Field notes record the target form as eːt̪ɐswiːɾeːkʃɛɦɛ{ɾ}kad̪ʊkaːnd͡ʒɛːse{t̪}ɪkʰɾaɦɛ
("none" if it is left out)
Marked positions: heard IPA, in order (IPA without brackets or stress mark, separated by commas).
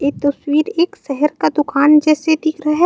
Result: ɾ, d̪